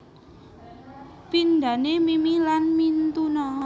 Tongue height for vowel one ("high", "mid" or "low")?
high